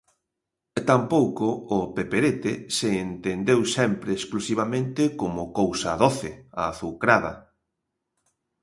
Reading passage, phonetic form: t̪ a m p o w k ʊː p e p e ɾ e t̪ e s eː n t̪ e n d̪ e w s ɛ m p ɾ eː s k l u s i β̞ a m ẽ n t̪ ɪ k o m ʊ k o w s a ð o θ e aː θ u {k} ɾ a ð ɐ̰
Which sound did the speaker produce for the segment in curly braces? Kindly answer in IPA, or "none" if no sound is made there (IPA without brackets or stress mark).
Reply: k